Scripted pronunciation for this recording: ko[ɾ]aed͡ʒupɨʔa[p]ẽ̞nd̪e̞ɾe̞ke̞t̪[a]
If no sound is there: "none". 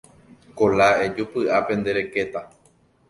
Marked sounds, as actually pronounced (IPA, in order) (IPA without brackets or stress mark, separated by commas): l, p, a